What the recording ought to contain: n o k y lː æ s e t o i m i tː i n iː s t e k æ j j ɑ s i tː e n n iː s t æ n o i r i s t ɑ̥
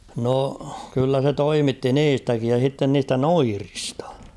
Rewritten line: n o k y lː æ s e t o i m i tː i n iː s t æ k i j j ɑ s i tː e n n iː s t æ n o i r i s t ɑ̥